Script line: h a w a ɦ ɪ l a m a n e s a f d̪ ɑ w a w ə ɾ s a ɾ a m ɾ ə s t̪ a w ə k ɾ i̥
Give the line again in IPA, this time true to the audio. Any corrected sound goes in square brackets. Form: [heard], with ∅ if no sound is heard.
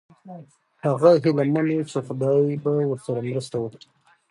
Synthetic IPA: h a [ɣ] a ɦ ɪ l a m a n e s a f d̪ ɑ [b] a w ə ɾ s a ɾ a m ɾ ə s t̪ a w ə k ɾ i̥

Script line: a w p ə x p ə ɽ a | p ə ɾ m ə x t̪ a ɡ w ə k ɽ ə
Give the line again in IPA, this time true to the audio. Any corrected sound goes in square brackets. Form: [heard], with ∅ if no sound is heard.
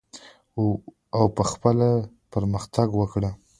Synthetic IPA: a w p ə x p ə [l] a | p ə ɾ m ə x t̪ a ɡ w ə k ɽ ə

